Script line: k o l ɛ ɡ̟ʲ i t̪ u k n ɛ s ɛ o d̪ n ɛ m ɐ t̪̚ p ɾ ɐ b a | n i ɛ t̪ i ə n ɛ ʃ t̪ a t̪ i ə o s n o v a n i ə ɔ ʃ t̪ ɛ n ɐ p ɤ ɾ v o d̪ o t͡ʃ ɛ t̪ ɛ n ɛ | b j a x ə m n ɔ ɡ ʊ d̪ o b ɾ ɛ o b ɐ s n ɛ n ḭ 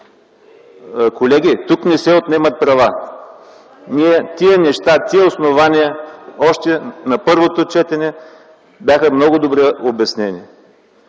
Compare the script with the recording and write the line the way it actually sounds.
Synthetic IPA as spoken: k o l ɛ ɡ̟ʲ i t̪ u k n ɛ s ɛ o t̪ n ɛ m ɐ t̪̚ p ɾ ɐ v a | n i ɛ t̪ i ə n ɛ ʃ t̪ a t̪ i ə o s n o v a n i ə ɔ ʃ t̪ ɛ n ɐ p ɤ ɾ v o t̪ o t͡ʃ ɛ t̪ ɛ n ɛ | b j a x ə m n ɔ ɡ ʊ d̪ o b ɾ ɛ o b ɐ s n ɛ n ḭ

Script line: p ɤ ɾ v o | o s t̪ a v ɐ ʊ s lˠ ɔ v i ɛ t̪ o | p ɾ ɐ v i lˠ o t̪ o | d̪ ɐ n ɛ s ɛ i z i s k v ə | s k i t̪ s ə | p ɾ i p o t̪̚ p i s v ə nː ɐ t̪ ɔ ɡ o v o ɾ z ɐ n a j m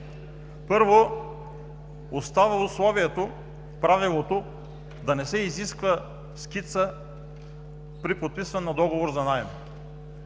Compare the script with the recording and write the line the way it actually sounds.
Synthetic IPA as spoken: p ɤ ɾ v o | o s t̪ a v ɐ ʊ s lˠ ɔ v i ɛ t̪ o | p ɾ a v i lˠ o t̪ o | d̪ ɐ n ɛ s ɛ i z i s k v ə | s k i t̪ s ə | p ɾ i p o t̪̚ p i s v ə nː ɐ d̪ ɔ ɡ o v o ɾ z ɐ n a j m

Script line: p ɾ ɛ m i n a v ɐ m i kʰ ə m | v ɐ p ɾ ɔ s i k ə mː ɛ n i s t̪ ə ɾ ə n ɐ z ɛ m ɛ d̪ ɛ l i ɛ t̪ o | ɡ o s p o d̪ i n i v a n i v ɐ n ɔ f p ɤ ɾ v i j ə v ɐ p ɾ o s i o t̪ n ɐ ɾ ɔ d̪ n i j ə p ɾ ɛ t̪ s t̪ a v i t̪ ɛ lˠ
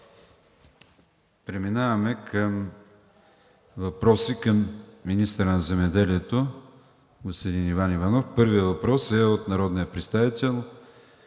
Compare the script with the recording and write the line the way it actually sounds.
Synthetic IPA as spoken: p ɾ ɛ m i n a v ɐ m ɛ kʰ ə m | v ɐ p ɾ ɔ s i k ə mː i n i s t̪ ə ɾ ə n ɐ z ɛ m ɛ d̪ ɛ l i ɛ t̪ o | ɡ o s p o d̪ i n i v a n i v ɐ n ɔ f p ɤ ɾ v i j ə v ɐ p ɾ ɔ s ɛ o t̪ n ɐ ɾ ɔ d̪ n i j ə p ɾ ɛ t̪ s t̪ a v i t̪ ɛ lˠ

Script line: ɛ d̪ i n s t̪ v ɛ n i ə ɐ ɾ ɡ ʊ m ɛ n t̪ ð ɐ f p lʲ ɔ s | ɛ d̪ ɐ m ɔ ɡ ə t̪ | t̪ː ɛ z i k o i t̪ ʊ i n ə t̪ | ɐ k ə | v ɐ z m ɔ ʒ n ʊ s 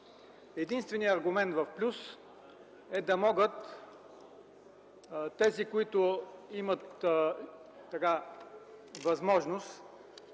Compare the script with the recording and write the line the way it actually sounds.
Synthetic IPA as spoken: ɛ d̪ i n s t̪ v ɛ n i ə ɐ ɾ ɡ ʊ m ɛ n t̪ v ɐ f p lʲ u s | ɛ d̪ ɐ m ɔ ɡ ə t̪ | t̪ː ɛ z i k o i t̪ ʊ i m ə t̪ | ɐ k a | v ɐ z m ɔ ʒ n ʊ s

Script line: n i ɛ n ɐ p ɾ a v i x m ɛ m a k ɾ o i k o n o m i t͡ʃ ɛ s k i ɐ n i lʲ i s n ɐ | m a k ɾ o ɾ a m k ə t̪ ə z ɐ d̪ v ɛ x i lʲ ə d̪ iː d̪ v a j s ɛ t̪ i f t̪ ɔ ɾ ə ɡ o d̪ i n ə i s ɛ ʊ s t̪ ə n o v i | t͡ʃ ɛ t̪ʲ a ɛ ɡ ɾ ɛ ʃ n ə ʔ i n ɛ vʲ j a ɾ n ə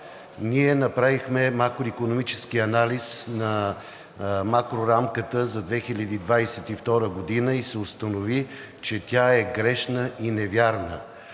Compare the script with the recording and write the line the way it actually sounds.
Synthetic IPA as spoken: n i ɛ n ɐ p ɾ a v i x m ɛ m a k ɾ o i k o n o m i t͡ʃ ɛ s k i ɐ n a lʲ i s n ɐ | m a k ɾ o ɾ a m k ə t̪ ə z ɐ d̪ v ɛ x i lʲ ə d̪ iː d̪ v a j s ɛ t̪ i f t̪ ɔ ɾ ə ɡ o d̪ i n ə i s ɛ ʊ s t̪ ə n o v i | t͡ʃ ɛ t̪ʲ a ɛ ɡ ɾ ɛ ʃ n ə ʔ i n ɛ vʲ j a ɾ n ə

